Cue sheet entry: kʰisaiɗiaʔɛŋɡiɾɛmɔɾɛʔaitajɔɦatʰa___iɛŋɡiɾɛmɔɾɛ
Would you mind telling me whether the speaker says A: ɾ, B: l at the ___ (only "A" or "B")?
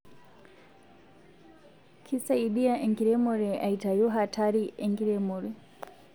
A